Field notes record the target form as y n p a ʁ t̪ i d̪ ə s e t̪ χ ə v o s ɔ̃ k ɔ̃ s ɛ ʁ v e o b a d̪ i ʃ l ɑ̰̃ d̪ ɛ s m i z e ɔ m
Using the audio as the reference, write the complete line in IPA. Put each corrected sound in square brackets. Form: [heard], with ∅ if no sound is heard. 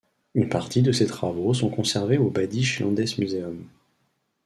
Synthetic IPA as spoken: y n p a ʁ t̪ i d̪ ə s e t̪ χ [a] v o s ɔ̃ k ɔ̃ s ɛ ʁ v e o b a d̪ i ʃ l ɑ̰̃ d̪ ɛ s m [y] z e ɔ m